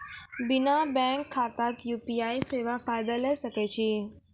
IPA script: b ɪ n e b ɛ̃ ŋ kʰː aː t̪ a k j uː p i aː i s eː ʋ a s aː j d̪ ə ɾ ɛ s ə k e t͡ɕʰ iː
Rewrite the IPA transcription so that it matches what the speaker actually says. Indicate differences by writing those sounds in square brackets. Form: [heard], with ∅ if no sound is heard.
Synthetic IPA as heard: b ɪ n [a] b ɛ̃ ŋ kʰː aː t̪ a k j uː p i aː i s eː ʋ a [f] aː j d̪ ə [l] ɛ s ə k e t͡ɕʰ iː